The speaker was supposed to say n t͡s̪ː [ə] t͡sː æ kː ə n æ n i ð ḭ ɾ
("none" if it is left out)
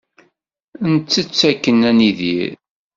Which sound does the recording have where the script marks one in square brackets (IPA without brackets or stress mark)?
ə